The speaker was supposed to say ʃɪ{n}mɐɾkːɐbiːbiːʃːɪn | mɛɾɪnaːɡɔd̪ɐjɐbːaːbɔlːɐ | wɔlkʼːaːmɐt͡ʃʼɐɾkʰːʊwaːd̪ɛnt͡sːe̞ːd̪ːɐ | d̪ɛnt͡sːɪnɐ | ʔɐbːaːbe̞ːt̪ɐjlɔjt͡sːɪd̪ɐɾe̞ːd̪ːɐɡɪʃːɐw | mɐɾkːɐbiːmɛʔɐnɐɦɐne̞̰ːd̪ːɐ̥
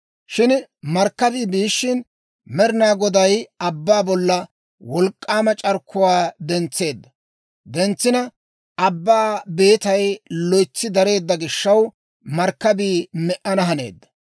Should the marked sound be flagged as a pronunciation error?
no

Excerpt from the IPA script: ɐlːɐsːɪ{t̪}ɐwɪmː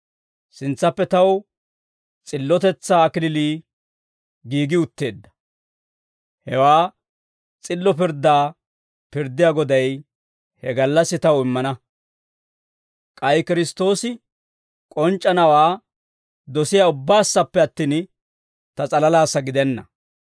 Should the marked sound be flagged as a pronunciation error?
no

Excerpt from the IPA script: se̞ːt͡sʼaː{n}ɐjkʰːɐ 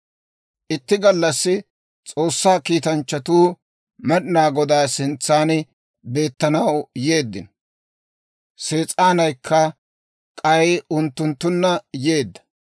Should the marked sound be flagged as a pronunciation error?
no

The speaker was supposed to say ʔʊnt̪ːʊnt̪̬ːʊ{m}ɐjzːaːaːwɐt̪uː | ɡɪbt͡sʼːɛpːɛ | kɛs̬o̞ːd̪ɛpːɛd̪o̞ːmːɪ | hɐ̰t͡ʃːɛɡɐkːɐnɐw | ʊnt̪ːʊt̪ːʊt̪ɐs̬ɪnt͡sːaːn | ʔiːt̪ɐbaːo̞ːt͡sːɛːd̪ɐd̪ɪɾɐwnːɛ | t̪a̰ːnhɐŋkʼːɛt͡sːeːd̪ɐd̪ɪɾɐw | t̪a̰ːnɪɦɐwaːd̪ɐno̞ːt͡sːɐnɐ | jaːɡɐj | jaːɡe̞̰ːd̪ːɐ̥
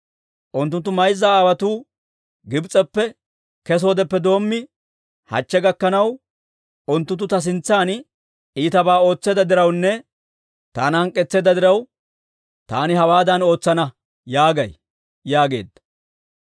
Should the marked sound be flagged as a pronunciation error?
no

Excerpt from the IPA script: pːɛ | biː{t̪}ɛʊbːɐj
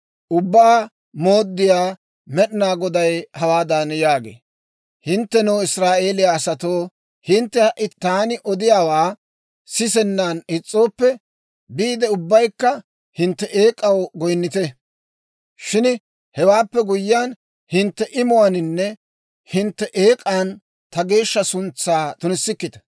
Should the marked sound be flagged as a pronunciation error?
yes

